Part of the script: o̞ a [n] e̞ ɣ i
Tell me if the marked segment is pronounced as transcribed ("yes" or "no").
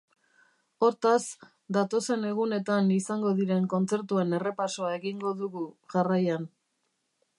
no